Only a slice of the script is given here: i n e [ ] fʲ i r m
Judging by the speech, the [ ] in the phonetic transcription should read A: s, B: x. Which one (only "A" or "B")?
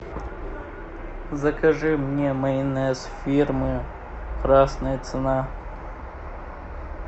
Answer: A